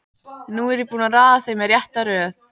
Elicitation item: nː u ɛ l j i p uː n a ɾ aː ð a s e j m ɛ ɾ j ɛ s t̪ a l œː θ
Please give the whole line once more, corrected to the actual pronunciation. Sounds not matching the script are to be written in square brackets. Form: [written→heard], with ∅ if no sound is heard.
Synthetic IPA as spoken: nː u ɛ [l→ɾ] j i p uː n a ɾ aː ð a [s→θ] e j m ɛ ɾ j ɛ [s→h] t̪ a [l→ɾ] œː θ